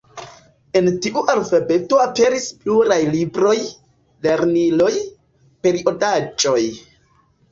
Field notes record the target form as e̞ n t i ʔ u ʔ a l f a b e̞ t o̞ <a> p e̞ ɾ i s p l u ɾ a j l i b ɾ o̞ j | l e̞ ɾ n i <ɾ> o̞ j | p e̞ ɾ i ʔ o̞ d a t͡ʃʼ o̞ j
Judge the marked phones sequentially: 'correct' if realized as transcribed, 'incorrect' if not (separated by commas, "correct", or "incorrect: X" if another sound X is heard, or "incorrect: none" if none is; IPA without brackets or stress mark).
correct, incorrect: l